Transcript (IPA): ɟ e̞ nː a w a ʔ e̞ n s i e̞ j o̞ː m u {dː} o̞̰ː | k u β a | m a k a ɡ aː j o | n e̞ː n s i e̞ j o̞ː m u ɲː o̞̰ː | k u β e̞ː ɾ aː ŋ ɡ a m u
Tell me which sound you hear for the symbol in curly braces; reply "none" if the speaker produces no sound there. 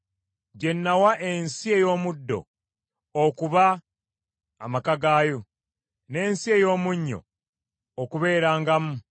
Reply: dː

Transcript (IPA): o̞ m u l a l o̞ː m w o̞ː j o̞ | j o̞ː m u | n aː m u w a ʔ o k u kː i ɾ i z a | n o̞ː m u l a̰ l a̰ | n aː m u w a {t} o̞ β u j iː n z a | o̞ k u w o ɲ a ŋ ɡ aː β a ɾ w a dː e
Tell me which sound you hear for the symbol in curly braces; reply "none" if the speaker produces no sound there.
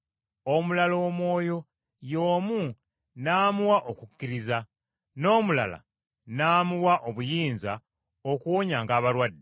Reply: ʔ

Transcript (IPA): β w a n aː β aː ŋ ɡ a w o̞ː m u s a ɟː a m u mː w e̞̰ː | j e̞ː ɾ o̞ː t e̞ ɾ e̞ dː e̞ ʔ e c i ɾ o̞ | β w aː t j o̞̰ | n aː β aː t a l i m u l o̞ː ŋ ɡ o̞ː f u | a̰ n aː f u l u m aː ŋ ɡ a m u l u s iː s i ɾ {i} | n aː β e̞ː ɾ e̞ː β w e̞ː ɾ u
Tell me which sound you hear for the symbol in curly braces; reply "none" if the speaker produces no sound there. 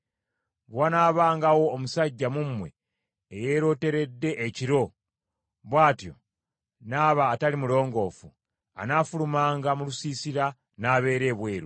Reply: a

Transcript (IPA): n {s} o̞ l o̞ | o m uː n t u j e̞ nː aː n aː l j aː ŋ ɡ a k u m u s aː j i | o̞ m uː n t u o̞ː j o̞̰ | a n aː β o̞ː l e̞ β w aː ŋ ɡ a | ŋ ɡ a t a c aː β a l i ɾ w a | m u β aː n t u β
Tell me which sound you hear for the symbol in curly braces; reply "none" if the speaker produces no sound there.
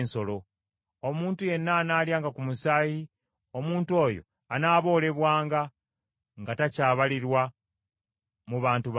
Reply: s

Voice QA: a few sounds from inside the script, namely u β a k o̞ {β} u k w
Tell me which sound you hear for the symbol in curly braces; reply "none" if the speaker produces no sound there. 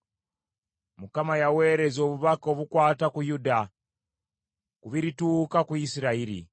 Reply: β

